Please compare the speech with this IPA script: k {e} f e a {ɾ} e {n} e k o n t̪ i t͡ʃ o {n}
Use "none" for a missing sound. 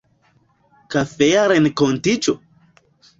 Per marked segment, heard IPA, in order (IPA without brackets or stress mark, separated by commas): a, ɾ, n, none